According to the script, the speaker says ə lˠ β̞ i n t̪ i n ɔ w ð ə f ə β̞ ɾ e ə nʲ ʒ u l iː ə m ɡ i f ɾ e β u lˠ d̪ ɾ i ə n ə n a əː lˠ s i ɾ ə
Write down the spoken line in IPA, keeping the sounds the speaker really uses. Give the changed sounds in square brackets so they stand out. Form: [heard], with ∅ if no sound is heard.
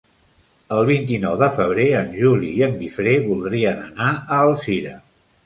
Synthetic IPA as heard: ə lˠ β̞ i n t̪ i n ɔ w ð ə f ə β̞ ɾ e ə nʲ ʒ u l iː ə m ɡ i f ɾ e β u lˠ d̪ ɾ i ə n ə n a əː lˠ s i ɾ ə